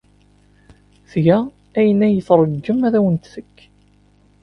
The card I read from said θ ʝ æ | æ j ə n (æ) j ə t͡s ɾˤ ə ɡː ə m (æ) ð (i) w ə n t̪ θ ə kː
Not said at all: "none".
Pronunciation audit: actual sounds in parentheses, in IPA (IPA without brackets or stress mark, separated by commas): æ, æ, æ